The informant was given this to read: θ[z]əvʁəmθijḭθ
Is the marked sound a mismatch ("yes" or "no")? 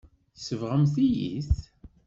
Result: yes